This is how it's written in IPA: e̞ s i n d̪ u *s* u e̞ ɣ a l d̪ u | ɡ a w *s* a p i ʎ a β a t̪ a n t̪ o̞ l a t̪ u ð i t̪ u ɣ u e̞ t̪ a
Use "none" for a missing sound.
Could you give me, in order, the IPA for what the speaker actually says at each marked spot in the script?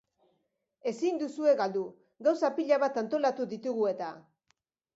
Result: s, s

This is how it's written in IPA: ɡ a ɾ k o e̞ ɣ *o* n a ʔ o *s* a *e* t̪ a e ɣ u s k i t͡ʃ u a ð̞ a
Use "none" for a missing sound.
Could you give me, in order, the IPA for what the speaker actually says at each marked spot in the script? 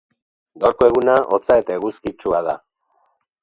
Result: u, t͡s, e

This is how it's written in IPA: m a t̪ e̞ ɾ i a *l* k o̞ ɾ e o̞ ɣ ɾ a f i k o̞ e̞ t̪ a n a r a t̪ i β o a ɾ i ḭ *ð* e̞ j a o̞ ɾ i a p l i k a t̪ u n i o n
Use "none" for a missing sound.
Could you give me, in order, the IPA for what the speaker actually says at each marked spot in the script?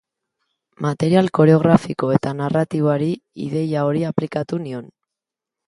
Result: l, ð

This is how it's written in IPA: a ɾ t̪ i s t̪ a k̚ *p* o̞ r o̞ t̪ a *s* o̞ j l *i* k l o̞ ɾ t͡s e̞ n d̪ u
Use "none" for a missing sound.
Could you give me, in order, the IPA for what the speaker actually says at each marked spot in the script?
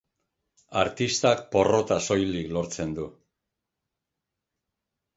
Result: p, s, i

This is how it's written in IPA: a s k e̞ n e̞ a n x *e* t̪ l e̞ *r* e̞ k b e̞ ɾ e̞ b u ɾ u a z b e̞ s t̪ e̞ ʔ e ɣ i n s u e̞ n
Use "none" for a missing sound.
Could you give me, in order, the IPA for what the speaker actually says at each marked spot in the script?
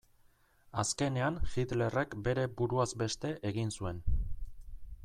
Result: i, r

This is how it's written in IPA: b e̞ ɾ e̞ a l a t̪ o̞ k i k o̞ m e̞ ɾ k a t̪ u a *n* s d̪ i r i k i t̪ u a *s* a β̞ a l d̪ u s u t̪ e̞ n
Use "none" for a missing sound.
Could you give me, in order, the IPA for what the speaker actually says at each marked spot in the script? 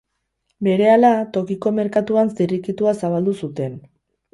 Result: n, s

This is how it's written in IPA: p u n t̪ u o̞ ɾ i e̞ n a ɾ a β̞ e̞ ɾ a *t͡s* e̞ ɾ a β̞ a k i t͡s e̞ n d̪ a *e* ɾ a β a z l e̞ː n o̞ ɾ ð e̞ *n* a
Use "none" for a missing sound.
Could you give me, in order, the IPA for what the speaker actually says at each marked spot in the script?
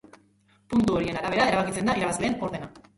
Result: none, i, n

